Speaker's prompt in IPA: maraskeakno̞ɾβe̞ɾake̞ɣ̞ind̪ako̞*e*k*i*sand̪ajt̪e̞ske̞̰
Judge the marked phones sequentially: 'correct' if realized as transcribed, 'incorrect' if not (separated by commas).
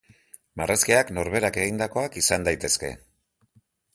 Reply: incorrect, correct